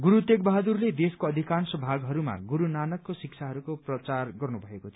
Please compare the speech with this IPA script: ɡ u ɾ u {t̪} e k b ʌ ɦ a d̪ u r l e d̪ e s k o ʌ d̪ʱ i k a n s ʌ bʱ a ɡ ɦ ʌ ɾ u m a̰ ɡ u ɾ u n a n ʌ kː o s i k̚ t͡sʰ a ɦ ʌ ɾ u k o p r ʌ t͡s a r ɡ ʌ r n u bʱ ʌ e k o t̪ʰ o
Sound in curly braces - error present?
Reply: no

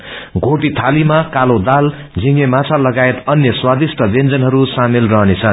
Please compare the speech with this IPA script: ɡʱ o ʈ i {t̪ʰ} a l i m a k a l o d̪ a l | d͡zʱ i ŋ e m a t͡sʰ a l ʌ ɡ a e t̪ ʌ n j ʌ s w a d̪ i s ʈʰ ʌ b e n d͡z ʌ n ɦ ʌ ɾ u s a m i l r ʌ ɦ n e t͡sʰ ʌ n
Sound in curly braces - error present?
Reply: no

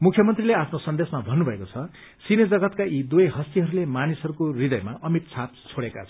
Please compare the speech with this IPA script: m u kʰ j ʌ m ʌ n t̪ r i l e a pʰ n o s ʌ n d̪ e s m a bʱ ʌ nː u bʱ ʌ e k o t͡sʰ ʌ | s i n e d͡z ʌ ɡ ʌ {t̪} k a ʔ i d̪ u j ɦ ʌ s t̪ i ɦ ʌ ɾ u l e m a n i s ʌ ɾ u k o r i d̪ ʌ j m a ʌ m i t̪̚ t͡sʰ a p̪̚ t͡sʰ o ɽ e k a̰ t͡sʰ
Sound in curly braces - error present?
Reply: no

